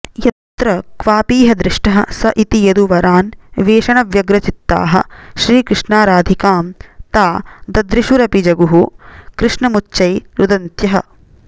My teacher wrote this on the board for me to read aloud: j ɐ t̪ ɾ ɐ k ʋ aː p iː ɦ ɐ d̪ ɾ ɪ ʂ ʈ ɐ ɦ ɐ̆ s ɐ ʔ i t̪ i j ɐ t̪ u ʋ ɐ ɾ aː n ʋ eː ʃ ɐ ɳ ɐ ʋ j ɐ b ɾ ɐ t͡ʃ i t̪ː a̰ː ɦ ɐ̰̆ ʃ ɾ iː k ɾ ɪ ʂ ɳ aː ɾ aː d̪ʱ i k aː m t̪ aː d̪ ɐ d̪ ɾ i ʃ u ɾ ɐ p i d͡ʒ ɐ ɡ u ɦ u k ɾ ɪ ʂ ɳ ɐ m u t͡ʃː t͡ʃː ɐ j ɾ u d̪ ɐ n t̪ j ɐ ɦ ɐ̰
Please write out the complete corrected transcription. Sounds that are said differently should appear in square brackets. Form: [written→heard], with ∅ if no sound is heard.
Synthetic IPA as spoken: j ɐ t̪ ɾ ɐ k ʋ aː p iː ɦ ɐ d̪ ɾ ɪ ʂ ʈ ɐ ɦ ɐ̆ s ɐ ʔ i t̪ i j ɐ [t̪→d̪] u ʋ ɐ ɾ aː n ʋ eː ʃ ɐ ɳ ɐ ʋ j ɐ [b→ɡ] ɾ ɐ t͡ʃ i t̪ː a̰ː ɦ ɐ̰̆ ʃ ɾ iː k ɾ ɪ ʂ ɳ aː ɾ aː d̪ʱ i k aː m t̪ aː d̪ ɐ d̪ ɾ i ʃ u ɾ ɐ p i d͡ʒ ɐ ɡ u ɦ u k ɾ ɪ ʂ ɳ ɐ m u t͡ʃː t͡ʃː ɐ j ɾ u d̪ ɐ n t̪ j ɐ ɦ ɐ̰